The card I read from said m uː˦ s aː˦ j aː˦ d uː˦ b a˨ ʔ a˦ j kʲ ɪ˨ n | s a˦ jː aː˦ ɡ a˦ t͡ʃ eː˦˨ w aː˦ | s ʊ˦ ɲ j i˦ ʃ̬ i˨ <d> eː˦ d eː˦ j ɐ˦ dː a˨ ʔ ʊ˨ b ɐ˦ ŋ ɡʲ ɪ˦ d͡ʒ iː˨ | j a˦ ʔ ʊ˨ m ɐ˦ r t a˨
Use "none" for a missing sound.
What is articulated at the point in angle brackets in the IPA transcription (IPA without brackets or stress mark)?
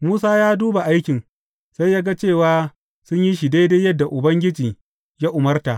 d